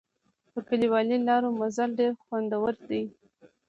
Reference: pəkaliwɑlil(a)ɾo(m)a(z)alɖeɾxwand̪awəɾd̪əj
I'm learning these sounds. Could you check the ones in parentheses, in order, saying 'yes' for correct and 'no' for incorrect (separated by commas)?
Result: no, yes, yes